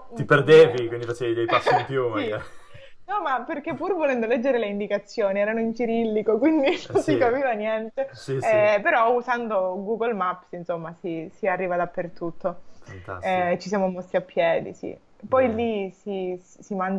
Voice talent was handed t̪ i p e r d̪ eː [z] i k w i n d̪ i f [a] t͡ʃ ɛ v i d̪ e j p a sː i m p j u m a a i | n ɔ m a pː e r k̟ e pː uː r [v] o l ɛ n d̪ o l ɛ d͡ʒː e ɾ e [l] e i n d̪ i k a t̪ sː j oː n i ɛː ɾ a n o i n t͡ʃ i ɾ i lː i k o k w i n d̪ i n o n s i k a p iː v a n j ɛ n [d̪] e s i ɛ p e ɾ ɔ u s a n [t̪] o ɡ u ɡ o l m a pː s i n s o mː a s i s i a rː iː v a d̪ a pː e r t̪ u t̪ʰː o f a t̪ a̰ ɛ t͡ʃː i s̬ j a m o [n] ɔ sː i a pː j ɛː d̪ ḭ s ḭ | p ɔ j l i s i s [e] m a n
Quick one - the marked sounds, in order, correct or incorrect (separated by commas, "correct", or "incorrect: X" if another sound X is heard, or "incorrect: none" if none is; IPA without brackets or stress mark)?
incorrect: v, correct, correct, correct, incorrect: t̪, incorrect: d̪, incorrect: m, incorrect: i